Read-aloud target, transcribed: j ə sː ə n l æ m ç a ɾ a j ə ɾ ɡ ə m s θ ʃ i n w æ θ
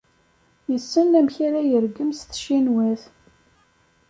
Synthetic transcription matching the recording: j ə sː ə n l æ m ç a ɾ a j ə ɾ ɡ ə m s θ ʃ i n w æ θ